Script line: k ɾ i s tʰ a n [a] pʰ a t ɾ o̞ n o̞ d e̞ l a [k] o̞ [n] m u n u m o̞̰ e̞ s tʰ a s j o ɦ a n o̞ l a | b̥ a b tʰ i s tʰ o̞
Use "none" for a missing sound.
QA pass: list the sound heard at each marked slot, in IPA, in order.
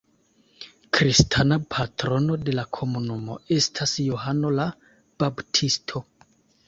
a, kʰ, none

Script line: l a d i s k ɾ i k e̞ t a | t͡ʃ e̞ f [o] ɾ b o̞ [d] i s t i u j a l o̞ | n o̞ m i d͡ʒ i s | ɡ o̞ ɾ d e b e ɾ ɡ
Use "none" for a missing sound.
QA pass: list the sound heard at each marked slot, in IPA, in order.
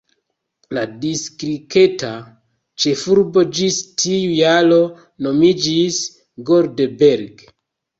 u, d͡ʒ

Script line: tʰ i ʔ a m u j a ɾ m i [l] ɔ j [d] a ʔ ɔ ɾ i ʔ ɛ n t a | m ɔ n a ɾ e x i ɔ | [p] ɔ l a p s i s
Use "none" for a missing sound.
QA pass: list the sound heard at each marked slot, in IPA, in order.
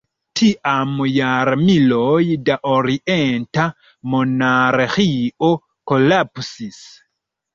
l, d, k

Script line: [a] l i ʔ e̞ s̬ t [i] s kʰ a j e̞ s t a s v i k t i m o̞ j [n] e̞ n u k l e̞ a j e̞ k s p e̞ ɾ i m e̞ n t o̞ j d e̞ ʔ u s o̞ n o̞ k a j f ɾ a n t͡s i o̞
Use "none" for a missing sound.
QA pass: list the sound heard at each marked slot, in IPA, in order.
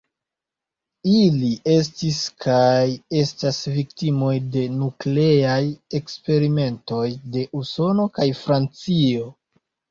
i, i, d

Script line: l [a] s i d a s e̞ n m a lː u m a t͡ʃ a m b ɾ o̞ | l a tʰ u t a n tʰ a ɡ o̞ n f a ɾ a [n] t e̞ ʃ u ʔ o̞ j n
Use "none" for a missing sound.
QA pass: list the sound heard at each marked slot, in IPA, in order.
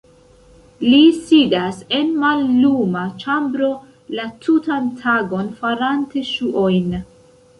i, n

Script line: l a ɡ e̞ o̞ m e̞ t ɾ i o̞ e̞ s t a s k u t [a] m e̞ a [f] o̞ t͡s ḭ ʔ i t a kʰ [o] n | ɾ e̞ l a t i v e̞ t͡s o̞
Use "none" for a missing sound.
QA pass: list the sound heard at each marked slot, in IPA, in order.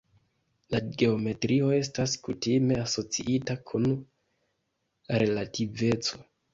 i, s, u

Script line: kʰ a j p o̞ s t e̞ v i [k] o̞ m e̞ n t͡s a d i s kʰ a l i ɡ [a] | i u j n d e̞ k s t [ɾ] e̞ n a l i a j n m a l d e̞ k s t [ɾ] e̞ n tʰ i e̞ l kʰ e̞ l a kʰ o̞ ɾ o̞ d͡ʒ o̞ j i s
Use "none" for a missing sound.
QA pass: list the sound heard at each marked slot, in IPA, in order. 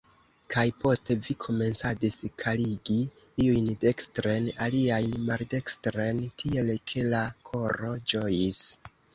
kʰ, i, ɾ, ɾ

